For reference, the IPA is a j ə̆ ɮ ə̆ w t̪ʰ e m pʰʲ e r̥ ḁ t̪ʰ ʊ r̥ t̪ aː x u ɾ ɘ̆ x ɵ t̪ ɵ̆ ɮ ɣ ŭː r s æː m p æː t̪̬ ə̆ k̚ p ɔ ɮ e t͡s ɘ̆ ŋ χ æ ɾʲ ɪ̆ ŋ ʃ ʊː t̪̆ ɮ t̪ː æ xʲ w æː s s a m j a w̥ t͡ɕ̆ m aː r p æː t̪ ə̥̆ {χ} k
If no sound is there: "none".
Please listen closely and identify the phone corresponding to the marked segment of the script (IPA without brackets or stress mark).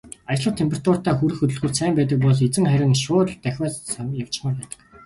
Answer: none